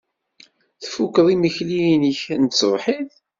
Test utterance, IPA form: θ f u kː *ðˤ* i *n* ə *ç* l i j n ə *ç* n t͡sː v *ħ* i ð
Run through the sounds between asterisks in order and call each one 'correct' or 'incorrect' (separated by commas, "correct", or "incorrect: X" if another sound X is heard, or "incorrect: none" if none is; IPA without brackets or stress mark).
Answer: correct, incorrect: m, correct, correct, correct